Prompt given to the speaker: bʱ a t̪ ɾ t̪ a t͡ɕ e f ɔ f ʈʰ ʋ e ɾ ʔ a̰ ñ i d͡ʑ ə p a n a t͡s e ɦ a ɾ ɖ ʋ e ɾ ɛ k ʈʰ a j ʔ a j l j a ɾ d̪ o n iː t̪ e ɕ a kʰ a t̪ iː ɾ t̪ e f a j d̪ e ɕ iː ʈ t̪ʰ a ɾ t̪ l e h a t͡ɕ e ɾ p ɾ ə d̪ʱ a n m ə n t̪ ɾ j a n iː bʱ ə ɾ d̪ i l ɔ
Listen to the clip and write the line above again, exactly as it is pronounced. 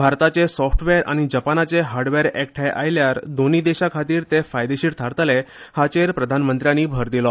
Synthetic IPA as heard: bʱ a ɾ t̪ a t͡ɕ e s ɔ f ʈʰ ʋ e ɾ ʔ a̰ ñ i d͡ʑ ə p a n a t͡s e ɦ a ɾ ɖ ʋ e ɾ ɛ k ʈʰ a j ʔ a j l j a ɾ d̪ o n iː d̪ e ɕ a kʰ a t̪ iː ɾ t̪ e f a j d̪ e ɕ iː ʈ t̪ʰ a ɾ t̪ l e h a t͡ɕ e ɾ p ɾ ə d̪ʱ a n m ə n t̪ ɾ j a n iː bʱ ə ɾ d̪ i l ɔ